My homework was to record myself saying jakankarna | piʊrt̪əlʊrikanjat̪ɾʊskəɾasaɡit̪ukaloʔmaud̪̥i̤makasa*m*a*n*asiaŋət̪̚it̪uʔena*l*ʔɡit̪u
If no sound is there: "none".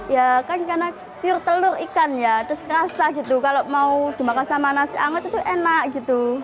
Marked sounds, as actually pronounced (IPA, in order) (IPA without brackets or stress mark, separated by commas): m, n, none